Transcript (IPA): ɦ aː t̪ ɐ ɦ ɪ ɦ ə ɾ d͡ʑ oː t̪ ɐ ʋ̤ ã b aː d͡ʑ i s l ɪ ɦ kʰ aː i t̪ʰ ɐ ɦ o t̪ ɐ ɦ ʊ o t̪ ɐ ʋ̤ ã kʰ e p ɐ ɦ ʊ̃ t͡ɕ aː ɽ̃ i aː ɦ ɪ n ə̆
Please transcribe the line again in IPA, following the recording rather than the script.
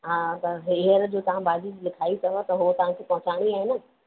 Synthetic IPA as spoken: ɦ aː t̪ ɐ ɦ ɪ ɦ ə ɾ d͡ʑ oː t̪ ɐ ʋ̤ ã b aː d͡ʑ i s l ɪ kʰ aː i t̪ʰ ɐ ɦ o t̪ ɐ ɦ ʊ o t̪ ɐ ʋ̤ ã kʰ e p ɐ ɦ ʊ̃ t͡ɕ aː ɽ̃ i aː ɦ ɪ n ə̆